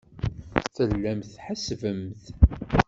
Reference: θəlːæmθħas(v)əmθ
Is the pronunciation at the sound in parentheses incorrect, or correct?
correct